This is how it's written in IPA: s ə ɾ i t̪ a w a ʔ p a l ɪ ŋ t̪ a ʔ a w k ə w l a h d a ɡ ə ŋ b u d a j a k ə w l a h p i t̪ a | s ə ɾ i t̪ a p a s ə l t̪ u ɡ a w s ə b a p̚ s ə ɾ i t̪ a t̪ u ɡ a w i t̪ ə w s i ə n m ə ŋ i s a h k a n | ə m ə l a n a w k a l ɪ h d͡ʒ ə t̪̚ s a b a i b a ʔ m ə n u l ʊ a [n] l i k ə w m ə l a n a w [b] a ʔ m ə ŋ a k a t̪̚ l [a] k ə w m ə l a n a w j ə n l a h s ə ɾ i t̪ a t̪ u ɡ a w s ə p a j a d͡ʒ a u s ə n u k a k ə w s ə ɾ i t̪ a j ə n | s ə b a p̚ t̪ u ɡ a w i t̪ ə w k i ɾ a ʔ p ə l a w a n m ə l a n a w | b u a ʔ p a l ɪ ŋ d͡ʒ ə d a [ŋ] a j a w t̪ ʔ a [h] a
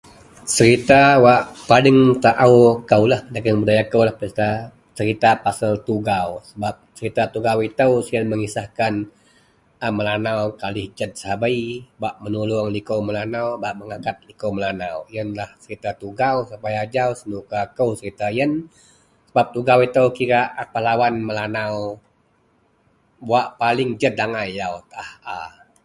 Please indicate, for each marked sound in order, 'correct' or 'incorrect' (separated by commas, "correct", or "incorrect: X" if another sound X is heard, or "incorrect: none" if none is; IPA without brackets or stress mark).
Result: incorrect: ŋ, correct, incorrect: i, correct, correct